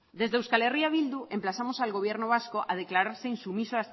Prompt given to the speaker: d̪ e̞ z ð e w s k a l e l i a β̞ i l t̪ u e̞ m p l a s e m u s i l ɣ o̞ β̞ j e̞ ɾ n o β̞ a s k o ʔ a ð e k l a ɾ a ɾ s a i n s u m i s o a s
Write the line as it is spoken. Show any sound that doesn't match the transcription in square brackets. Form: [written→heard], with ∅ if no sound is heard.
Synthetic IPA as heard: d̪ e̞ z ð e w s k a l e [l→r] i a β̞ i l [t̪→d̪] u e̞ m p l a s [e→a] m [u→o] s [i→a] l ɣ o̞ β̞ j e̞ ɾ n o β̞ a s k o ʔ a ð e k l a ɾ a ɾ s [a→e] i n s u m i s o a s